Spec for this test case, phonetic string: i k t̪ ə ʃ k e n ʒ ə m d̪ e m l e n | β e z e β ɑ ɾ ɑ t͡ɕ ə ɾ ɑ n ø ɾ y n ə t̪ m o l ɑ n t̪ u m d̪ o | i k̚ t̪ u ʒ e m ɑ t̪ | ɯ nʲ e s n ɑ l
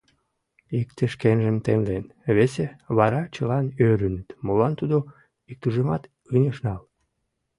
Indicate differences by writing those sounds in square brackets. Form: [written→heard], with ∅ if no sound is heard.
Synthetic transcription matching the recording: i k t̪ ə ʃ k e n ʒ ə m [d̪→t̪] e m l e n | β e [z→s] e β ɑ ɾ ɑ t͡ɕ ə [ɾ→l] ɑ n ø ɾ y n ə t̪ m o l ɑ n t̪ u [m→∅] d̪ o | i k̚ t̪ u ʒ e m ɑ t̪ | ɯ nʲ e [s→ʃ] n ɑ l